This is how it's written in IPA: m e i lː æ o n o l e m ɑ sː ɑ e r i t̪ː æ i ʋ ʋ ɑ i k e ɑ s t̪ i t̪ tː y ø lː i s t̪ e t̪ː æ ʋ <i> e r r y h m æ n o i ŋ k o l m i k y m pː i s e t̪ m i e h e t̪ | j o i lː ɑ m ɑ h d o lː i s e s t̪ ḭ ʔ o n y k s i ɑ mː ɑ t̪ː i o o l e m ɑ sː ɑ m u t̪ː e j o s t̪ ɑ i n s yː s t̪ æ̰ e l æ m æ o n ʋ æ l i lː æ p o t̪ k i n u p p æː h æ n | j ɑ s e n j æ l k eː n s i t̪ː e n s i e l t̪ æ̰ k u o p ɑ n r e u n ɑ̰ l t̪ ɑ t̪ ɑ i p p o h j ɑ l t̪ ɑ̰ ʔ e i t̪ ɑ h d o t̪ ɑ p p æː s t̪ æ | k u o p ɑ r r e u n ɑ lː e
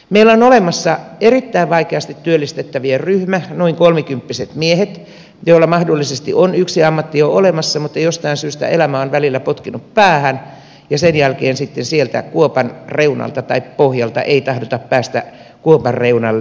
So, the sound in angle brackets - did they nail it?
yes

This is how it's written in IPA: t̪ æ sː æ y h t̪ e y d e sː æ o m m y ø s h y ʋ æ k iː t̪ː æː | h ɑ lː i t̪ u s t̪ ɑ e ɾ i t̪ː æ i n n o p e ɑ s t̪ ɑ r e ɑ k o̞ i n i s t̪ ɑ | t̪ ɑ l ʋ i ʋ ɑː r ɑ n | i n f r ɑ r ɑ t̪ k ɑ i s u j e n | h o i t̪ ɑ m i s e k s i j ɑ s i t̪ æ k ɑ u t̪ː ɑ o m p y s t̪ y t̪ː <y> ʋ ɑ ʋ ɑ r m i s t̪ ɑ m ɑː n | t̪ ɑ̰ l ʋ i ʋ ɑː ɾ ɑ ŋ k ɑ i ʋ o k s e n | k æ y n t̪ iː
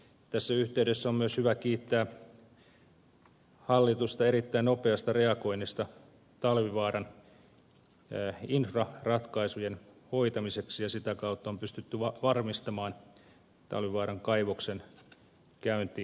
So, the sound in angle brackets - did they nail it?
yes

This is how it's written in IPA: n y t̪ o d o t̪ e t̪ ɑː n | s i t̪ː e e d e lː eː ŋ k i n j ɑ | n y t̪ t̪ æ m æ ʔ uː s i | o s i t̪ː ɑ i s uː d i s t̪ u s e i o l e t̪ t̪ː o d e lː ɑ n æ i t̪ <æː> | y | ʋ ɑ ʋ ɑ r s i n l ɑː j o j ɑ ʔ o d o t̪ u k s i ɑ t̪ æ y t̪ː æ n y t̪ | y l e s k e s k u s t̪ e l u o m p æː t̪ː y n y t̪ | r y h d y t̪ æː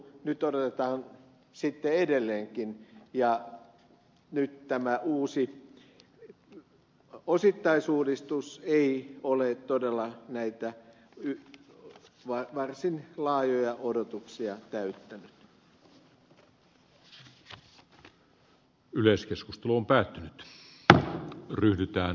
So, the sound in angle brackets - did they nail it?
no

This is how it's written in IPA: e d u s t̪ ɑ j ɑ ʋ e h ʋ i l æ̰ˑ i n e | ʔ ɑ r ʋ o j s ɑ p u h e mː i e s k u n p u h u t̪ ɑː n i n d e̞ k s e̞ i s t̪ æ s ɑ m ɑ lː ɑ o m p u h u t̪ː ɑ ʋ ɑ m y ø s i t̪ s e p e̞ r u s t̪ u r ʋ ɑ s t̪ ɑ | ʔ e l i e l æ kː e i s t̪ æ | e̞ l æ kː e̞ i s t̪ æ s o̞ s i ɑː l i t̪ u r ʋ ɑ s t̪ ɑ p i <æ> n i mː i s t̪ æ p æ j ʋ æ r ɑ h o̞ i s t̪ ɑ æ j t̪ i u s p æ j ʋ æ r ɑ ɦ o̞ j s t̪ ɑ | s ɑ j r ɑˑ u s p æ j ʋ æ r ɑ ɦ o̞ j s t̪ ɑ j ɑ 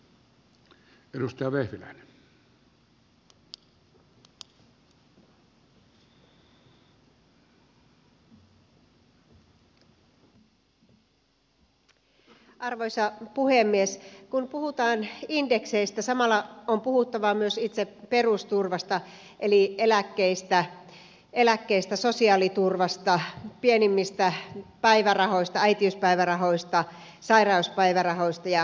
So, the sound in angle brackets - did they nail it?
no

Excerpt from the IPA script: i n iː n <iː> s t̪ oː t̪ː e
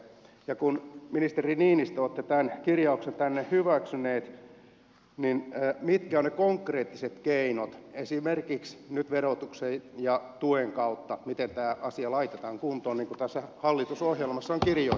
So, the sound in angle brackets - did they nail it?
no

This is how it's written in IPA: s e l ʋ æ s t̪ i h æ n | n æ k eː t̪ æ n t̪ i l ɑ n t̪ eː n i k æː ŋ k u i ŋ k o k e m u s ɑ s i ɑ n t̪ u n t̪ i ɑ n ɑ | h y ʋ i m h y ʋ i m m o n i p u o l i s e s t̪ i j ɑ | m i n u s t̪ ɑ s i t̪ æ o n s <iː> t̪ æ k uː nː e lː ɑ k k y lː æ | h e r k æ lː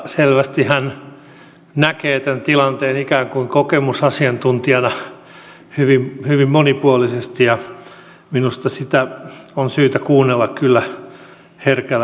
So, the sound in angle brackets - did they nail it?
no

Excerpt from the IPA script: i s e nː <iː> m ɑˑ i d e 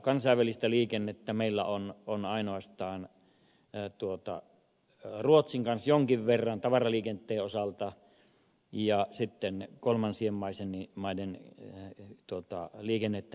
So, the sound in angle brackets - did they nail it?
no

